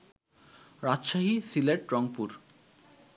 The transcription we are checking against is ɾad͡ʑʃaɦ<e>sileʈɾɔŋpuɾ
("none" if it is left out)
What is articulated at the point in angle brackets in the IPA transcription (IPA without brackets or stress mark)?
i